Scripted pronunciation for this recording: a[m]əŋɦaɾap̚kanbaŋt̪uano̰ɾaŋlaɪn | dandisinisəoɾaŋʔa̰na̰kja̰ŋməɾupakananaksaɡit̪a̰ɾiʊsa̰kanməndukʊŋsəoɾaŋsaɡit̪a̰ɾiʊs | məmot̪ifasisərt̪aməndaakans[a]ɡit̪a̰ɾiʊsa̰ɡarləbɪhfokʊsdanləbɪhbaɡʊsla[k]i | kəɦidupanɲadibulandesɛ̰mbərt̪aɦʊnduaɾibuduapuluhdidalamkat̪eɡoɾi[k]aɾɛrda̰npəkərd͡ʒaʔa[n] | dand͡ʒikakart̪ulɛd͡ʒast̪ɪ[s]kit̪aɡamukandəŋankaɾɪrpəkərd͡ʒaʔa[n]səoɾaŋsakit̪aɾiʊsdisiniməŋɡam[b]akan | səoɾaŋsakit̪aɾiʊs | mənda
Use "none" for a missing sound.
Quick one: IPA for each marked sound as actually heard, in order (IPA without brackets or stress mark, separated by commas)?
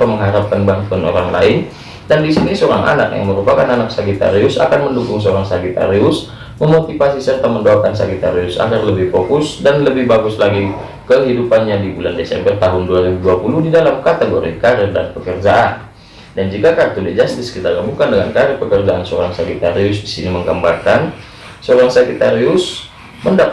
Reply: m, a, ɡ, k, n, s, n, b